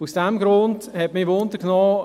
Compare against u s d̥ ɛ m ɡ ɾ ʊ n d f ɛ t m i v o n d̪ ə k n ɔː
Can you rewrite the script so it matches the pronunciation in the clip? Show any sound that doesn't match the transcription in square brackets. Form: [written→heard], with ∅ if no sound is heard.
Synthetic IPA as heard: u s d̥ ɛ m ɡ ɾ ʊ n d [f→h] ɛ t m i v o n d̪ ə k n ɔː

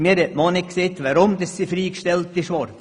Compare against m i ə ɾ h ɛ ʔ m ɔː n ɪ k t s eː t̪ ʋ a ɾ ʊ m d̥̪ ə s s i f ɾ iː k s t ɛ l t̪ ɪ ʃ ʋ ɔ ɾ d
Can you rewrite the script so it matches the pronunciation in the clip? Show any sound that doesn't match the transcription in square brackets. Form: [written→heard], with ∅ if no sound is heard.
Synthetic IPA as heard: m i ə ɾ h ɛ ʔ m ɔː n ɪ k [t→k] s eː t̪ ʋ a ɾ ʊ m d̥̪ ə s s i f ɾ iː k [s→ʃ] t ɛ l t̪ ɪ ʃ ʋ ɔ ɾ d

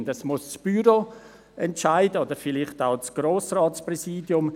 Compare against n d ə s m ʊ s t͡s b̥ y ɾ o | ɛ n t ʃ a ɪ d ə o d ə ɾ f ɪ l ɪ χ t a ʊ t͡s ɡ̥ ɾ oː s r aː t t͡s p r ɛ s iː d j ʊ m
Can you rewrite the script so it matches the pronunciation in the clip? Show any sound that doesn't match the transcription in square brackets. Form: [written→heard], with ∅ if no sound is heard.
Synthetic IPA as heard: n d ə s m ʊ s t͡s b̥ y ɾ o | ɛ n t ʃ a ɪ d ə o d ə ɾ f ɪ l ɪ χ t a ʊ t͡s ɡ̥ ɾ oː s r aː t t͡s p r ɛ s iː d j ʊ m

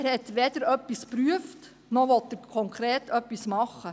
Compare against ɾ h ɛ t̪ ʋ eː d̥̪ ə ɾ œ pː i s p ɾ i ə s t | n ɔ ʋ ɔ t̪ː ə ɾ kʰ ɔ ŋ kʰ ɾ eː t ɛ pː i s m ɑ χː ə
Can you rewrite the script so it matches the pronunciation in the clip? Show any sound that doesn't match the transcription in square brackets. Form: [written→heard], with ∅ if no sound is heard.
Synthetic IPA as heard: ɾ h ɛ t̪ ʋ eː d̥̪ ə ɾ œ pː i s p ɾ [i→y] ə [s→f] t | n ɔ ʋ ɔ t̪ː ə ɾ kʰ ɔ ŋ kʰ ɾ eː t [ɛ→œ] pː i s m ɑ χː ə

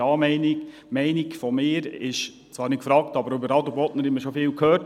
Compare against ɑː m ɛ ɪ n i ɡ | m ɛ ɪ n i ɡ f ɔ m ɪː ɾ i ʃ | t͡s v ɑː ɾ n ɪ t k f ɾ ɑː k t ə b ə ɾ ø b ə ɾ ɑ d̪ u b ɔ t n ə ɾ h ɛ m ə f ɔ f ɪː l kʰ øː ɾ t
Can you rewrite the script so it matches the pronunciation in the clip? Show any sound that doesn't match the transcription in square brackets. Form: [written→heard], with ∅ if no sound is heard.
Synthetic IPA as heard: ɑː m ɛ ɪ n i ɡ | m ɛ ɪ n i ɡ f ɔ m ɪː ɾ [i→ɪ] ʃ | t͡s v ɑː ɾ n ɪ t k f ɾ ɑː k t [ə→ɑ] b ə ɾ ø b ə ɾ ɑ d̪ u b ɔ t n ə ɾ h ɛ m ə [f→ʃ] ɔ f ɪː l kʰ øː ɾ t

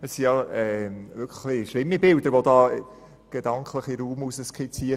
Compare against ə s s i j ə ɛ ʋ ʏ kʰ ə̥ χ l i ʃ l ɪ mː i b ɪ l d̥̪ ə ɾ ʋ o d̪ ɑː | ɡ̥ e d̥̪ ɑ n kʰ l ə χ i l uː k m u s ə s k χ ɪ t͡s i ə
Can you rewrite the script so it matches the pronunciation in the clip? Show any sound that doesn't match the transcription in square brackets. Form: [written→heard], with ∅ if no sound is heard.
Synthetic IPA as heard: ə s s i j [ə→ɑ] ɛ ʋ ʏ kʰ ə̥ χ l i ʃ l ɪ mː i b ɪ l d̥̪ ə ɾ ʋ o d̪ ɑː | ɡ̥ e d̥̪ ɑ [n→ŋ] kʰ l ə χ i [l→ɾ] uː [k→∅] m u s ə s k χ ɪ t͡s i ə

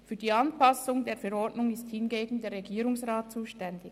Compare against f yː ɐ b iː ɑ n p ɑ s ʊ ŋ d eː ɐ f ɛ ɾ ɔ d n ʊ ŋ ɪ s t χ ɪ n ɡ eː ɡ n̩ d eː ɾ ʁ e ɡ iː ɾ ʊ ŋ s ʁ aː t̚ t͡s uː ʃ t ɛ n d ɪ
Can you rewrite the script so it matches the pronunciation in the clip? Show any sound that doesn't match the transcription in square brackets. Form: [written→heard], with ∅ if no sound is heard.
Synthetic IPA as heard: f yː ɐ [b→d] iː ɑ n p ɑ s ʊ ŋ d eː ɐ f ɛ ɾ ɔ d n ʊ ŋ ɪ s t [χ→h] ɪ n ɡ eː ɡ n̩ d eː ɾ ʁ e ɡ iː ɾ ʊ ŋ s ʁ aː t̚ t͡s uː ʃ t ɛ n d ɪ

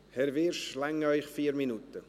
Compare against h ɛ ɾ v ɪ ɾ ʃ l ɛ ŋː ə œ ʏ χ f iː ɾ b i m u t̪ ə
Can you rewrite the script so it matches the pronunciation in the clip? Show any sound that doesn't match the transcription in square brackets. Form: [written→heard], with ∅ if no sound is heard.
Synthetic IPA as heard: h ɛ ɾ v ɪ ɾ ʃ l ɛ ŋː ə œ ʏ χ f iː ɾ [b→m] i [m→n] u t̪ ə

